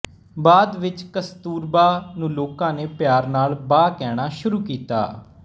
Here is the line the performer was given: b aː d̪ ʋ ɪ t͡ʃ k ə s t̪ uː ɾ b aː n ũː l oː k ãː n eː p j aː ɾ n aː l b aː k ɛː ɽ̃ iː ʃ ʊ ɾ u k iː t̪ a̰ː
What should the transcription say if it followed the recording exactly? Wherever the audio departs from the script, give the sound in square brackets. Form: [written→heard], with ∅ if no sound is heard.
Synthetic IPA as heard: b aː d̪ ʋ ɪ t͡ʃ k ə s t̪ uː ɾ b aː n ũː l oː k ãː n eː p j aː ɾ n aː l b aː k ɛː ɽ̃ [iː→aː] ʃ ʊ ɾ [u→uː] k iː t̪ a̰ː

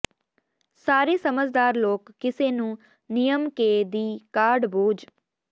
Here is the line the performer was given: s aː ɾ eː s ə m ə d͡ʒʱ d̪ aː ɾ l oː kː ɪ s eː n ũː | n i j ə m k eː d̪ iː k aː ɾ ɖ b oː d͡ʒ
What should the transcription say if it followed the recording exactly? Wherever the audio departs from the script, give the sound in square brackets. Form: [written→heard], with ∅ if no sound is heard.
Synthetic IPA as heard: s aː ɾ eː s ə m ə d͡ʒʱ d̪ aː ɾ l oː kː ɪ s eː n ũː | n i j ə m k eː d̪ iː k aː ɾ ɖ b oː d͡ʒ

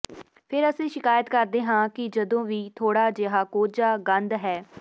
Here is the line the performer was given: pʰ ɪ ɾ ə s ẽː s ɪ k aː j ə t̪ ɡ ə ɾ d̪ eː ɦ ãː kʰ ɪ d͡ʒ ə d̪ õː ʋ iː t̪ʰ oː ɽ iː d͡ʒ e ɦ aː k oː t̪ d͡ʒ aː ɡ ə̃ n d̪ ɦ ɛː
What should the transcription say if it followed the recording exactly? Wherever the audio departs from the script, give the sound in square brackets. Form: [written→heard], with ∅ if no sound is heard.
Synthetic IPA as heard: pʰ ɪ ɾ ə s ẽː [s→ʃ] ɪ k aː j ə t̪ [ɡ→k] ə ɾ d̪ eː ɦ ãː [kʰ→k] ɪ d͡ʒ ə d̪ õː ʋ iː t̪ʰ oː ɽ [iː→aː] d͡ʒ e ɦ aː k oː [t̪→∅] d͡ʒ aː ɡ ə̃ n d̪ ɦ ɛː

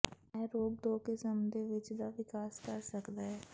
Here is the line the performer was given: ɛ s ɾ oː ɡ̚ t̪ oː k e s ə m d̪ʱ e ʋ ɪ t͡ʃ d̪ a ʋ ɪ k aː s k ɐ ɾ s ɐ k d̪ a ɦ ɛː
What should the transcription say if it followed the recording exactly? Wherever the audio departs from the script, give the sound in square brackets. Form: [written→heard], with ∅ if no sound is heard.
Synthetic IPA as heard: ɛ [s→∅] ɾ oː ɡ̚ [t̪→d̪] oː k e s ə m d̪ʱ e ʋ ɪ t͡ʃ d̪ a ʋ ɪ k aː s k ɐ ɾ s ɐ k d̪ a ɦ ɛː

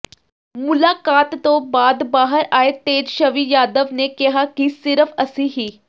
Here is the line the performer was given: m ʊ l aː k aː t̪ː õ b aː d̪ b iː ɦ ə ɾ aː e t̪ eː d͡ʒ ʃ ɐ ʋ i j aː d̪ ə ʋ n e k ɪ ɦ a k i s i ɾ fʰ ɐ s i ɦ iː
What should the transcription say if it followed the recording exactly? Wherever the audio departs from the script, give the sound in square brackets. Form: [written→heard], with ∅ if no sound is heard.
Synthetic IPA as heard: m ʊ l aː k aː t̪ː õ b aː d̪ b [iː→aː] ɦ ə ɾ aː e t̪ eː d͡ʒ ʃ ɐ ʋ i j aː d̪ ə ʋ n e k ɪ ɦ a k i s [i→ɪ] ɾ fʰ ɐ s i ɦ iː

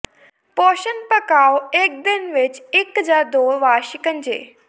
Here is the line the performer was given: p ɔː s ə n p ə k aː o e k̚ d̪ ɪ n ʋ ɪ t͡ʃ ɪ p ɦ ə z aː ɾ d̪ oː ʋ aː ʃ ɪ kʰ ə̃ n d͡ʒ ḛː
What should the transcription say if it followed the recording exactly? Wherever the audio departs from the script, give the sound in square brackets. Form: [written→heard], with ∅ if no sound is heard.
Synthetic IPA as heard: p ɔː [s→ʃ] ə n p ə k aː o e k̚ d̪ ɪ n ʋ ɪ t͡ʃ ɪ [p→k] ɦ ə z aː ɾ d̪ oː ʋ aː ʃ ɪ [kʰ→k] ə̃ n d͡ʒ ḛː

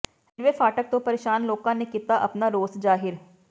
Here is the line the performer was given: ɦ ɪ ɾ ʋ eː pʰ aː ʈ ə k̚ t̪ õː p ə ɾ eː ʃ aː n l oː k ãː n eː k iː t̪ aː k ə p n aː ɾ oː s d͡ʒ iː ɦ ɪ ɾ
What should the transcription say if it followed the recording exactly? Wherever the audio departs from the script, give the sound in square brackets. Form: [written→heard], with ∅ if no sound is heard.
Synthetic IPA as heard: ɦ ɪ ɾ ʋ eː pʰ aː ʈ ə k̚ t̪ õː p ə ɾ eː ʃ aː n l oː k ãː n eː k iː t̪ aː [k→ʔ] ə p n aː ɾ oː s d͡ʒ [iː→aː] ɦ ɪ ɾ

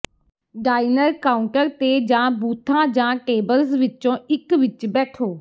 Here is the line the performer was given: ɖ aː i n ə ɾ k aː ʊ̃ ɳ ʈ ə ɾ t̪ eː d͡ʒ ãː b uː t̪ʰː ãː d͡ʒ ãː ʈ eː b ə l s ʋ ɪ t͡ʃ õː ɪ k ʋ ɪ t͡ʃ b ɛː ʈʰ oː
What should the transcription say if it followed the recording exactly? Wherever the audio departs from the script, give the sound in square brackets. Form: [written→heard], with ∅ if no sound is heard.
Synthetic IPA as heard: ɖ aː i n ə ɾ k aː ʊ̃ ɳ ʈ ə ɾ t̪ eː d͡ʒ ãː b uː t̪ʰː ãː d͡ʒ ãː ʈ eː b ə l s ʋ ɪ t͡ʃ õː ɪ k ʋ ɪ t͡ʃ b ɛː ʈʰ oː

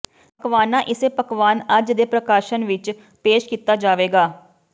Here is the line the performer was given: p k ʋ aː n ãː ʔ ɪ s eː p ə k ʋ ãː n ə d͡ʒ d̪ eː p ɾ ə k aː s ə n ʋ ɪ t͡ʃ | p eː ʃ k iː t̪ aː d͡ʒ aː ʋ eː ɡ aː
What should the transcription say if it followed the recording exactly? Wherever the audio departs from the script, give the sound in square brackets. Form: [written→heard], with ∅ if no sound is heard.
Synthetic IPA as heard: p k ʋ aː n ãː ʔ ɪ s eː p ə k ʋ [ãː→aː] n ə d͡ʒ d̪ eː p ɾ ə k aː [s→ʃ] ə n ʋ ɪ t͡ʃ | p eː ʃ k iː t̪ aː d͡ʒ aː ʋ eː ɡ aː

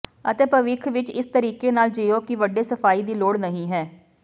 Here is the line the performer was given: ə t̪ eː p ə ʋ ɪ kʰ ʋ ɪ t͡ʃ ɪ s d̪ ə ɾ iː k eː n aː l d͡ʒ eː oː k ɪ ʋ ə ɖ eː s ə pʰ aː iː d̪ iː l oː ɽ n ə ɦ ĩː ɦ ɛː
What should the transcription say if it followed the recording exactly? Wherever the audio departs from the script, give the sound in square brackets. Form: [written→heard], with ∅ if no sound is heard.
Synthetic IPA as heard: ə t̪ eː p ə ʋ ɪ kʰ ʋ ɪ t͡ʃ ɪ s [d̪→t̪] ə ɾ iː k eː n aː l d͡ʒ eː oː k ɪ ʋ ə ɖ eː s ə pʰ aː iː d̪ iː l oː ɽ n ə ɦ ĩː ɦ ɛː

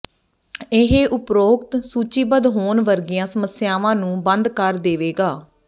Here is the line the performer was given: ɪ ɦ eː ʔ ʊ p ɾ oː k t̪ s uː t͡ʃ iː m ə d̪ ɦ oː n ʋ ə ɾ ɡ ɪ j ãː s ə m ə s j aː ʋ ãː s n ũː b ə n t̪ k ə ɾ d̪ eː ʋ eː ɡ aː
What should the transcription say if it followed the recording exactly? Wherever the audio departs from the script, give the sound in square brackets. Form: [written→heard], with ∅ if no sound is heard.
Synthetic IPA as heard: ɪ ɦ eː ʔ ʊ p ɾ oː k t̪ s uː t͡ʃ iː [m→b] ə d̪ ɦ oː n ʋ ə ɾ ɡ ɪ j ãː s ə m ə s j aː ʋ ãː [s→∅] n ũː b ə n [t̪→d̪] k ə ɾ d̪ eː ʋ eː ɡ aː

